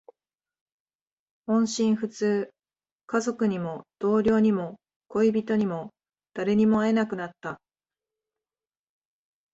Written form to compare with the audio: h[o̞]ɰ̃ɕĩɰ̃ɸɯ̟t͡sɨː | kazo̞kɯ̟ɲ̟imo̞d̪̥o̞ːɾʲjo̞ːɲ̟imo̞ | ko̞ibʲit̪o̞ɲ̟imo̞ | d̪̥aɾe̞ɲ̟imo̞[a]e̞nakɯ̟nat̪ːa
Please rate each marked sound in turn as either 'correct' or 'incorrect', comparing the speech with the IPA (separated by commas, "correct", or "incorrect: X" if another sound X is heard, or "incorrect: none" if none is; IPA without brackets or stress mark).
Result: incorrect: õ̞, correct